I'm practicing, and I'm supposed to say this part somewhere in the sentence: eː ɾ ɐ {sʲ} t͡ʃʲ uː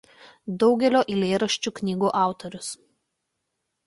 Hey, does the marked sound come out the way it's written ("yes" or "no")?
no